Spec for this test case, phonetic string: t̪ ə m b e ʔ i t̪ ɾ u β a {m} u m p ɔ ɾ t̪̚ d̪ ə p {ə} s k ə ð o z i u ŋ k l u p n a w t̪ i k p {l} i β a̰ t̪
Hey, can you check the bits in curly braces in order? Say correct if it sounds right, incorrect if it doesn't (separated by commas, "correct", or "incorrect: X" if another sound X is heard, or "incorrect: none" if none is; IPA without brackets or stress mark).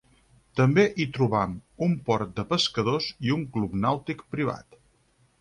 correct, correct, incorrect: ɾ